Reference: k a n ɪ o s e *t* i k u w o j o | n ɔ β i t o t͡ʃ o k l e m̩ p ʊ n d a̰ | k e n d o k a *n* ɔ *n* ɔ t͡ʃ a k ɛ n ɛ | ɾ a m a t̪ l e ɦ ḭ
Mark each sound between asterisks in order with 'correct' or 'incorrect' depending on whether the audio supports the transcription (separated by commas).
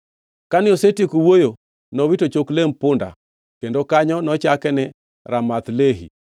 correct, incorrect, correct